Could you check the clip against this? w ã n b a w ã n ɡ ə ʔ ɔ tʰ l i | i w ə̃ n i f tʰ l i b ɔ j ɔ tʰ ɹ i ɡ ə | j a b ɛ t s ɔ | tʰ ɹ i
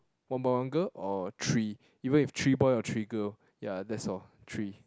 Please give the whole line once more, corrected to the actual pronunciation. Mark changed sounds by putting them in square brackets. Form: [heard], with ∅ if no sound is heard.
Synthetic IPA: w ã n b a w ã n ɡ ə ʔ ɔ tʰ [ɹ] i | i [v] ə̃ n i f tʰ [ɹ] i b ɔ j ɔ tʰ ɹ i ɡ ə | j a [d] ɛ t s ɔ | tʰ ɹ i